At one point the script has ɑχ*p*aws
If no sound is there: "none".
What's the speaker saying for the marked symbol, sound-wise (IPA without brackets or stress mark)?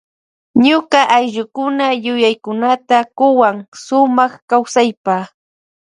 k